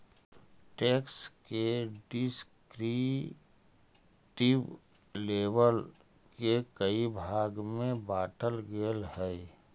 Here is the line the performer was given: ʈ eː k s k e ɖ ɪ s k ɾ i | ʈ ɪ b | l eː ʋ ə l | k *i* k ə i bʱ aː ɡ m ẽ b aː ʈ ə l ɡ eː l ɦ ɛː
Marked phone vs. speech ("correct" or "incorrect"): incorrect